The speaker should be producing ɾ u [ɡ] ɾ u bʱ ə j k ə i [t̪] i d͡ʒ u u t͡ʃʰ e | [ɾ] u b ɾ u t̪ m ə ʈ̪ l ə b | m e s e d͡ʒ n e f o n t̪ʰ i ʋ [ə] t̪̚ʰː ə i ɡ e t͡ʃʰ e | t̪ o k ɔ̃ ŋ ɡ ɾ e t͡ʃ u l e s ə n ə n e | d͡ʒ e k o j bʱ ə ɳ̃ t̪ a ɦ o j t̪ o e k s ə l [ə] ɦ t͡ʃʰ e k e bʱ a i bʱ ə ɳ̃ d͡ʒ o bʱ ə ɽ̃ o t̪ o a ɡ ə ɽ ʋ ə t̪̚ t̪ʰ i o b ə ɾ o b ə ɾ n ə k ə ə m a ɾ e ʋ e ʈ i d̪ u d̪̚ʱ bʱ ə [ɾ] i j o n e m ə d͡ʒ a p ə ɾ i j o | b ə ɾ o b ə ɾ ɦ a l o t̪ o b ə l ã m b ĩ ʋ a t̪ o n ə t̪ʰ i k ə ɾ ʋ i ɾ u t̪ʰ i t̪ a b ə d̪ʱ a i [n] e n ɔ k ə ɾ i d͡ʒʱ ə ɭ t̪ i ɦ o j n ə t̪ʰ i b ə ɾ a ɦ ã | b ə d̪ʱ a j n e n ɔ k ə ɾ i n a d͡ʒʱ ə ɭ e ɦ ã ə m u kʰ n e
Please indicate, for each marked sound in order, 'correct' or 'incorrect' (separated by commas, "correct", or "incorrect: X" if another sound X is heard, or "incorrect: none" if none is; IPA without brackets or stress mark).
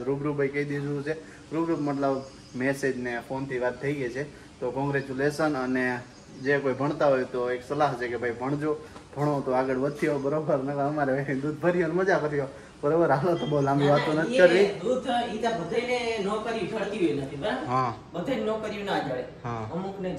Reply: incorrect: b, incorrect: d̪, correct, incorrect: a, incorrect: a, correct, correct